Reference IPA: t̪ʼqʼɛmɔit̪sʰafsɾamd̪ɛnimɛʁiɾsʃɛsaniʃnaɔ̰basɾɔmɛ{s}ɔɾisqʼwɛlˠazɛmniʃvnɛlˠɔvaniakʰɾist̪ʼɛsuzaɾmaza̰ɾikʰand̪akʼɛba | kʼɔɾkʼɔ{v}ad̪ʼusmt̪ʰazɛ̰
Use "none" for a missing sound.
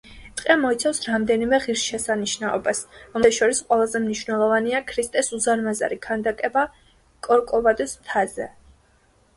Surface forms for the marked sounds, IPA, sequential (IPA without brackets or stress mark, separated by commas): ʃ, v